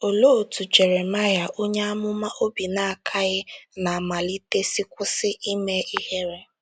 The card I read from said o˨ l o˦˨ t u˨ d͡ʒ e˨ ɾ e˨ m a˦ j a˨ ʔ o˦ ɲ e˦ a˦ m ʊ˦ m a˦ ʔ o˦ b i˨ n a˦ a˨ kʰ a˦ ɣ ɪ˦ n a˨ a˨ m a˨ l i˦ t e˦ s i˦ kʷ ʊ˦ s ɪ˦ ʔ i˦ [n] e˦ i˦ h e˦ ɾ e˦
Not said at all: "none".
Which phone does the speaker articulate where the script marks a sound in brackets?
m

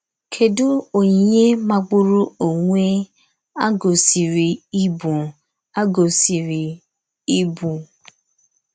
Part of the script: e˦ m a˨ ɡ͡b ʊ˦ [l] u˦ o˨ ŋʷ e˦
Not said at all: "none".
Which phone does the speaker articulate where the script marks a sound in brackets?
ɾ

